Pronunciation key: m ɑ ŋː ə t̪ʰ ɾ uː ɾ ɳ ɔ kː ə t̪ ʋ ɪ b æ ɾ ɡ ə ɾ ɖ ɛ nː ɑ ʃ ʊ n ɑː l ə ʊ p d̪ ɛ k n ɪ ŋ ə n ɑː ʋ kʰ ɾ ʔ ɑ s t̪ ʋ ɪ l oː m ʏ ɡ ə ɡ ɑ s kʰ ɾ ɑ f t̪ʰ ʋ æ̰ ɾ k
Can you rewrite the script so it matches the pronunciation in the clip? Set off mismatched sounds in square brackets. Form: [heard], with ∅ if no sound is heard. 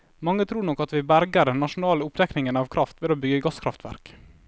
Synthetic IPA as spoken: m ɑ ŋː ə t̪ʰ ɾ uː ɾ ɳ ɔ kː [ɑ] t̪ ʋ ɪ b æ ɾ ɡ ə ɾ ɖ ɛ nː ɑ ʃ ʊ n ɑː l ə ʊ p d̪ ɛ k n ɪ ŋ ə n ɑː ʋ kʰ ɾ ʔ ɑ [f] t̪ ʋ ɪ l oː [b] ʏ ɡ ə ɡ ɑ s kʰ ɾ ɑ f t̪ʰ ʋ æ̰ ɾ k